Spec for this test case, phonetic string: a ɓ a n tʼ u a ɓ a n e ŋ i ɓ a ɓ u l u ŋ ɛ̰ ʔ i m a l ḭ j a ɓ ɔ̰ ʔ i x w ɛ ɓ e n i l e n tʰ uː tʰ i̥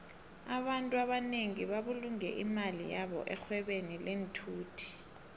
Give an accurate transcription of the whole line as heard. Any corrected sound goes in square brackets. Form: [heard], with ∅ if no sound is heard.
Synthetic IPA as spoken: a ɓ a n tʼ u a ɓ a n e ŋ i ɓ a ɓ u l u ŋ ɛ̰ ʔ i m a l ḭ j a ɓ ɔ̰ ʔ [ɛ] x w ɛ ɓ e n i l e n tʰ uː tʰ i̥

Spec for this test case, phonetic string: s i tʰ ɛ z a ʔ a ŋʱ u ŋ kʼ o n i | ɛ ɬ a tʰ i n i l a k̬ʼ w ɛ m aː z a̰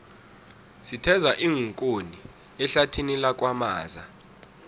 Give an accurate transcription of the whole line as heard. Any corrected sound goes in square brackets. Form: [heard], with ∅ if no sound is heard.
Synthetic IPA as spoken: s i tʰ ɛ z a ʔ [i] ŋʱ u ŋ kʼ o n i | ɛ ɬ a tʰ i n i l a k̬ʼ w [a] m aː z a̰

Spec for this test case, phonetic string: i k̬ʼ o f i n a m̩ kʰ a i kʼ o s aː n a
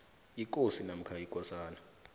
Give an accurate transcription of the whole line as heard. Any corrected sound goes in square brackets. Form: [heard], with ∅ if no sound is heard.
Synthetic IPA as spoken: i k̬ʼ o [s] i n a m̩ kʰ a i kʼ [ɔ] s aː n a

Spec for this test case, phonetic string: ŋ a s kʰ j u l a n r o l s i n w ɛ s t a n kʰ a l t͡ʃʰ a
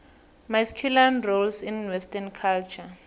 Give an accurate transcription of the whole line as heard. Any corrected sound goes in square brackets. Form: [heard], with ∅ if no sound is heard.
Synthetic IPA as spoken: [m] a s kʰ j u l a n r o l s i n w ɛ s t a n kʰ a l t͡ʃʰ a

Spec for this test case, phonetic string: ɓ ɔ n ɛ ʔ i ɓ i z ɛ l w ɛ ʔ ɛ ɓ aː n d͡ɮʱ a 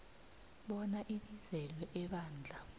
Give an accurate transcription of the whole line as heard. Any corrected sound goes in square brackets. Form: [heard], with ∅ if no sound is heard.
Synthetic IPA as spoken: ɓ ɔ n [a] ʔ i ɓ i z ɛ l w ɛ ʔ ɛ ɓ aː n d͡ɮʱ a

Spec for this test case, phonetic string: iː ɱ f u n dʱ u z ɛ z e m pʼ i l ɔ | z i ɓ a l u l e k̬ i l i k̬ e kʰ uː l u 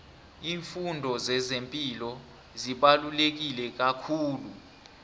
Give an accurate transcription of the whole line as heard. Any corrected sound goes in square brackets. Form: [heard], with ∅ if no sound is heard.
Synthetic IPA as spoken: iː ɱ f u n dʱ [ɔ] z ɛ z e m pʼ i l ɔ | z i ɓ a l u l e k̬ i l [ɛ] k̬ [a] kʰ uː l u

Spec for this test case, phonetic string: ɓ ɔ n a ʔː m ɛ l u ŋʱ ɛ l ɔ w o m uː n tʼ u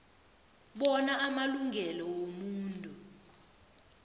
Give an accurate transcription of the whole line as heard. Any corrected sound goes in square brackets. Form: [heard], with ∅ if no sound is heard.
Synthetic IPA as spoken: ɓ ɔ n a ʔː m [a] l u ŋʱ ɛ l ɔ w o m uː n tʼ u

